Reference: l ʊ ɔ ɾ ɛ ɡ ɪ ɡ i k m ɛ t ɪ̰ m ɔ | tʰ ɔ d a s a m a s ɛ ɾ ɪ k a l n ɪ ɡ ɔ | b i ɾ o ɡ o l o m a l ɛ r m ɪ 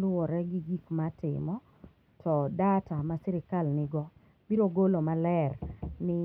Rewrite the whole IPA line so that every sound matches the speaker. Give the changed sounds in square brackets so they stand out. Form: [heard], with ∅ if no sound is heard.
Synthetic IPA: l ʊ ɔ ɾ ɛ ɡ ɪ ɡ i k m [a] t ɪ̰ m ɔ | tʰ ɔ d a [t] a m a s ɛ ɾ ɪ k a l n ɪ ɡ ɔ | b i ɾ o ɡ o l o m a l ɛ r [n] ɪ